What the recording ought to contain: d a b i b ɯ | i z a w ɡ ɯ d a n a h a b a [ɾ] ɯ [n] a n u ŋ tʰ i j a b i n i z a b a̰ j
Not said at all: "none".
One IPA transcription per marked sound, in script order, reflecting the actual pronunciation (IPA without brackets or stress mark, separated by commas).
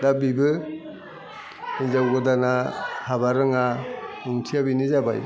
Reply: ɾ, ŋ